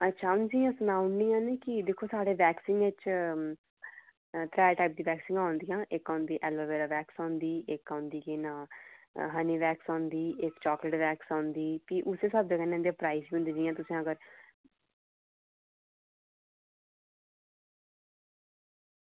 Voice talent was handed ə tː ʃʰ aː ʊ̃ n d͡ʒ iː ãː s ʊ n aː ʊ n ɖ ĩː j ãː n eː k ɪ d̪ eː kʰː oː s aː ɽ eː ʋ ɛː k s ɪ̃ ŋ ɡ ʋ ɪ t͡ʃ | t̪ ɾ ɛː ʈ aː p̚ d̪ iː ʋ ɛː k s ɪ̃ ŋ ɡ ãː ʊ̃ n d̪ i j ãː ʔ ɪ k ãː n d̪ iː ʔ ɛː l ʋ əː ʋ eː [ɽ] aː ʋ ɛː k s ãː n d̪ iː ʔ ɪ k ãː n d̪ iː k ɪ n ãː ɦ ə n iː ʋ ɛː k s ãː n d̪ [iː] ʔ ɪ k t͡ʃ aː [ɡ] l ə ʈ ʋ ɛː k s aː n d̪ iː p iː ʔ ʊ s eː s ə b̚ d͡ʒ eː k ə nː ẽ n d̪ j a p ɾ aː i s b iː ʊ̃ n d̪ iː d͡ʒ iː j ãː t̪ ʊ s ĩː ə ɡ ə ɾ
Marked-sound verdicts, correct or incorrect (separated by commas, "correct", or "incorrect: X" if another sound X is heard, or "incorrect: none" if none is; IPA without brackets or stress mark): incorrect: ɾ, correct, incorrect: k